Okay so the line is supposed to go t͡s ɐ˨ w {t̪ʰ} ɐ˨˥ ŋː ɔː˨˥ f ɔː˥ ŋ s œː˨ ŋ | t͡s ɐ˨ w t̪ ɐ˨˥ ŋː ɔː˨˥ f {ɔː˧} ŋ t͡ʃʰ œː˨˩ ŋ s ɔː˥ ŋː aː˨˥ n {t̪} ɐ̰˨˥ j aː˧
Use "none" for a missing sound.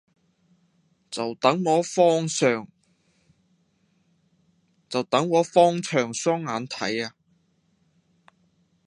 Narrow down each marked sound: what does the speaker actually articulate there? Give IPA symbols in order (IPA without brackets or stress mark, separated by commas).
t̪, ɔː˥, t̪ʰ